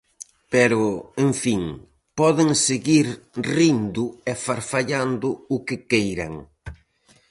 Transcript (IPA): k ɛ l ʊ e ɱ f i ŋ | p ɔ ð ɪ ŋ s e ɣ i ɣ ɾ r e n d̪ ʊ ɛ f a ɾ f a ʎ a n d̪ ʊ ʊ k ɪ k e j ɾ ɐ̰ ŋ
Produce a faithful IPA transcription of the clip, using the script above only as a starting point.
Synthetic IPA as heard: p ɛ ɾ ʊ e ɱ f i ŋ | p ɔ ð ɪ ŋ s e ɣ i ɾ r i n d̪ ʊ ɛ f a ɾ f a ʎ a n d̪ ʊ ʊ k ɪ k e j ɾ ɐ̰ ŋ